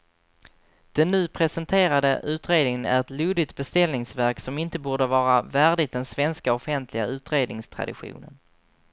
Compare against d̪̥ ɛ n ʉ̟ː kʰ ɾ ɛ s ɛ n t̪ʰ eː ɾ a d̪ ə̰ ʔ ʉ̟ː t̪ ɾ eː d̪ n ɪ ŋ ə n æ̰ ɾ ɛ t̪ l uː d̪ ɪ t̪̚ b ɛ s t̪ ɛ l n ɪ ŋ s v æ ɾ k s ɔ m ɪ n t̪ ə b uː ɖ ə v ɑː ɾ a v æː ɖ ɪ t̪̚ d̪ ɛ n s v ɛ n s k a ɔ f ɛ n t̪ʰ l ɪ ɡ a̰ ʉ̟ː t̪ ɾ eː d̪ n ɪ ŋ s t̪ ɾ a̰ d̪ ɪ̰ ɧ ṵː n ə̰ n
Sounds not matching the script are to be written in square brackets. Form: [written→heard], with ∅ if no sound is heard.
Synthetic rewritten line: d̪̥ ɛ [n→nː] ʉ̟ː [kʰ→pʰ] ɾ ɛ s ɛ n t̪ʰ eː ɾ a d̪ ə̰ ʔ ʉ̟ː t̪ ɾ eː d̪ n ɪ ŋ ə n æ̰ ɾ ɛ t̪ l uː d̪ ɪ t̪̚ b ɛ s t̪ ɛ l n ɪ ŋ s v æ ɾ k s ɔ m ɪ n t̪ ə b uː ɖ ə v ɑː ɾ a v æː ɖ ɪ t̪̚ d̪ ɛ n s v ɛ n s k a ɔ f ɛ n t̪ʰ l ɪ ɡ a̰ ʉ̟ː t̪ ɾ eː d̪ n ɪ ŋ s [t̪→t̪ʰ] ɾ a̰ d̪ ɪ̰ ɧ ṵː n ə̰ n

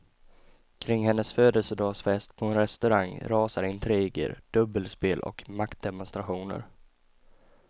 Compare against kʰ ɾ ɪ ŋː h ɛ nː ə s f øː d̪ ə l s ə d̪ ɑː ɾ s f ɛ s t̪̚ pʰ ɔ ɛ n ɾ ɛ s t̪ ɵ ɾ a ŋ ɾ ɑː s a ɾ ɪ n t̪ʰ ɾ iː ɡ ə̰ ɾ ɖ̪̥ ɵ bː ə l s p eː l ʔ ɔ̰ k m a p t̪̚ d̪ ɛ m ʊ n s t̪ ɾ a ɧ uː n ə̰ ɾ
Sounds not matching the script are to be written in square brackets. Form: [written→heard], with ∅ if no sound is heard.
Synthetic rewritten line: kʰ ɾ ɪ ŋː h ɛ nː ə s f øː d̪ ə l s ə d̪ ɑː [ɾ→∅] s f ɛ s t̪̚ pʰ ɔ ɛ n ɾ ɛ s t̪ ɵ ɾ a ŋ ɾ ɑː s a ɾ ɪ n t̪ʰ ɾ iː ɡ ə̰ ɾ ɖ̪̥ ɵ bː ə l s p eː l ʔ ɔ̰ k m a [p→k] t̪̚ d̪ ɛ m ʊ n s t̪ ɾ a ɧ uː n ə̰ ɾ

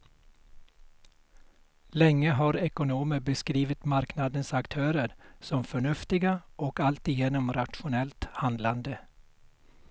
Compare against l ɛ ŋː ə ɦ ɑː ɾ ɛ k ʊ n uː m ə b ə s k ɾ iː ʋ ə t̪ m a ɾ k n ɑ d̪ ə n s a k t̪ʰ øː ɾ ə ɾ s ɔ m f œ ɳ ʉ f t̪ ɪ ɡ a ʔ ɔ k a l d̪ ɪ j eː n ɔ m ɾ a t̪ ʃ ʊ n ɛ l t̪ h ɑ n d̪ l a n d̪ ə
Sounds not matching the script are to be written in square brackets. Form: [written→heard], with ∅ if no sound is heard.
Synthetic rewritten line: l ɛ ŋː ə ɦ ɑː ɾ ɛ k ʊ n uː m ə b ə s k ɾ iː ʋ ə t̪ m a ɾ k n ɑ d̪ ə n s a k t̪ʰ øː ɾ ə ɾ s ɔ m f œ ɳ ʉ f t̪ ɪ ɡ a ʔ ɔ k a l [d̪→t̪] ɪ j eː n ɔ m ɾ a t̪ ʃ ʊ n ɛ l t̪ h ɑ n d̪ l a n d̪ ə

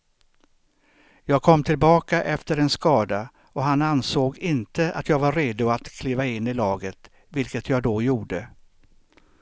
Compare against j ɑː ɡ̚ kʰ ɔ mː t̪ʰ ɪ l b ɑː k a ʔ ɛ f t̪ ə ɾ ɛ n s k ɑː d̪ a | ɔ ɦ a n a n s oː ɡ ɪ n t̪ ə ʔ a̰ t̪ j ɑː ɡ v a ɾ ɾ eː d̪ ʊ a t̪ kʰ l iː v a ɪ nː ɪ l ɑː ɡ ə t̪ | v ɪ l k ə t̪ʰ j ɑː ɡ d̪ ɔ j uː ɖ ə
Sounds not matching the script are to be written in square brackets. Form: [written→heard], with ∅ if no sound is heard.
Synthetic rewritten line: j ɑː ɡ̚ kʰ ɔ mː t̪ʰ ɪ l b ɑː k a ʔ ɛ f t̪ ə ɾ ɛ n s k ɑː d̪ a | ɔ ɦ a n a n s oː ɡ ɪ n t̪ ə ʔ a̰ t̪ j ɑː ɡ v a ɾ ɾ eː d̪ ʊ a t̪ kʰ l iː v a ɪ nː ɪ l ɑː ɡ ə t̪ | v ɪ l k ə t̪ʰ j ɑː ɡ d̪ ɔ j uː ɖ ə

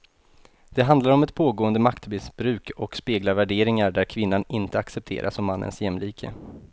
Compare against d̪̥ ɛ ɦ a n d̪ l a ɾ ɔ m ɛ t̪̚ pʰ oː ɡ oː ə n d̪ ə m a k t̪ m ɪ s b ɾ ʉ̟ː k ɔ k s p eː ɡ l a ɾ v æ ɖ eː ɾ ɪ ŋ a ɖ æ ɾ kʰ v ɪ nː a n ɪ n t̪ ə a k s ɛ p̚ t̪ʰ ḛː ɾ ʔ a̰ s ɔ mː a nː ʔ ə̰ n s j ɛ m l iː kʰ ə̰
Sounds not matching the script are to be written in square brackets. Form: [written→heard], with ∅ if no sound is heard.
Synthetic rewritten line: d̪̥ ɛ ɦ a n d̪ l a ɾ ɔ m ɛ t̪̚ pʰ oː ɡ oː ə n d̪ ə m a k t̪ m ɪ s b ɾ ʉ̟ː k ɔ k s p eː ɡ l a ɾ v æ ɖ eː ɾ ɪ ŋ a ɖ æ ɾ kʰ v ɪ nː a n ɪ n t̪ ə a k s ɛ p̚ t̪ʰ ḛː ɾ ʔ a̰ s ɔ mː a nː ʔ ə̰ n s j ɛ m l iː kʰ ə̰

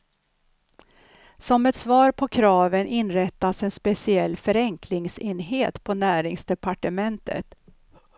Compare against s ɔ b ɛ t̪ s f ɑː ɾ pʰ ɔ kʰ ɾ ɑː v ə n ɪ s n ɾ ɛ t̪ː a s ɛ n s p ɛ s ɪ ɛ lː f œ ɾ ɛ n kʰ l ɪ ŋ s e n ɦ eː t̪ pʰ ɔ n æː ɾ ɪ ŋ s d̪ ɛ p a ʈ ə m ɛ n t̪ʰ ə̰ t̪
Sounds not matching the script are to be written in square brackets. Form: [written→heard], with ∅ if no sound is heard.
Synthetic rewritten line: s ɔ [b→m] ɛ t̪ s [f→v] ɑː ɾ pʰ ɔ kʰ ɾ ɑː v ə n ɪ [s→∅] n ɾ ɛ t̪ː a s ɛ n s p ɛ s ɪ ɛ lː f œ ɾ ɛ [n→ŋ] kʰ l ɪ ŋ s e n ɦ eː t̪ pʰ ɔ n æː ɾ ɪ ŋ s d̪ ɛ p a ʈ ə m ɛ n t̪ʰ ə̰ t̪

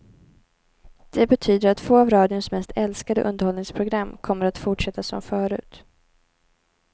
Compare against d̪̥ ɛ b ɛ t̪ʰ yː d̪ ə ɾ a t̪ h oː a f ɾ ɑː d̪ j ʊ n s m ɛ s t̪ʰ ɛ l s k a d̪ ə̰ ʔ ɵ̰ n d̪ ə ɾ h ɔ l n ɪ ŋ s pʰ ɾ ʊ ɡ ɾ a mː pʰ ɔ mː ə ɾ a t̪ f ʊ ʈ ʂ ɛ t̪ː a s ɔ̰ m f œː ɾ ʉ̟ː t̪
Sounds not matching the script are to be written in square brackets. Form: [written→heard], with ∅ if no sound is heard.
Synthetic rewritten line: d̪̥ ɛ b ɛ t̪ʰ yː d̪ ə ɾ a t̪ [h→f] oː a [f→v] ɾ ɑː d̪ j ʊ n s m ɛ s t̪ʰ ɛ l s k a d̪ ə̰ ʔ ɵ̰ n d̪ ə ɾ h ɔ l n ɪ ŋ s pʰ ɾ ʊ ɡ ɾ a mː [pʰ→kʰ] ɔ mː ə ɾ a t̪ f ʊ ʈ ʂ ɛ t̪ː a s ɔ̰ m f œː ɾ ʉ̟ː t̪

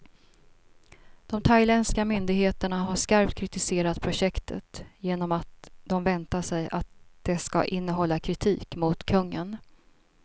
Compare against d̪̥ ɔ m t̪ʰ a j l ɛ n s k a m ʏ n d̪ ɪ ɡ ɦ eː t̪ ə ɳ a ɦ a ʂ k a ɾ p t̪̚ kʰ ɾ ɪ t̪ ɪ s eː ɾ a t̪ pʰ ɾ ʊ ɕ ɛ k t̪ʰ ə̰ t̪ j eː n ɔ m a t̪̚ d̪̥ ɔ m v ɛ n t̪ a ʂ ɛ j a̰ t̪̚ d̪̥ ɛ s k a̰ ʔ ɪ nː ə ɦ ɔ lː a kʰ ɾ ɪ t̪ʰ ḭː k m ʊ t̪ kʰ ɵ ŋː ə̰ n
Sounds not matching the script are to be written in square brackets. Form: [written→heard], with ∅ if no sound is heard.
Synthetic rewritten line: d̪̥ ɔ m t̪ʰ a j l ɛ n s k a m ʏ n d̪ ɪ ɡ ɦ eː t̪ ə ɳ a ɦ a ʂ k a ɾ p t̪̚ kʰ ɾ ɪ t̪ ɪ s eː ɾ a t̪ pʰ ɾ ʊ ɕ ɛ k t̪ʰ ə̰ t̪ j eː n ɔ m a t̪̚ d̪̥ ɔ m v ɛ n t̪ a ʂ ɛ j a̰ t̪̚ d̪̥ ɛ s k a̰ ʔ ɪ nː ə ɦ ɔ lː a kʰ ɾ ɪ t̪ʰ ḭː k m ʊ t̪ kʰ ɵ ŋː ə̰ n

